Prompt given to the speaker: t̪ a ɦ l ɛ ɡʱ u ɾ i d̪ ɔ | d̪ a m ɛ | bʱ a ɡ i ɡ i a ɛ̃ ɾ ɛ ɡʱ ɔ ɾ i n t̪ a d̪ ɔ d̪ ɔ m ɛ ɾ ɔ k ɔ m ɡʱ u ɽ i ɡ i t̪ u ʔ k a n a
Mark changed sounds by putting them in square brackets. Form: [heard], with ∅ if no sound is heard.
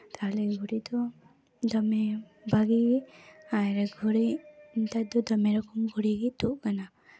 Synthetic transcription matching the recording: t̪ a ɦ l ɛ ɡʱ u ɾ i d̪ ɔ | d̪ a m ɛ | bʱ a ɡ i ɡ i a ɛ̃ ɾ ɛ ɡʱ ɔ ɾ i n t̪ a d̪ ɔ d̪ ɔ m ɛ ɾ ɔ k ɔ m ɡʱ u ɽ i ɡ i t̪ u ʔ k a n a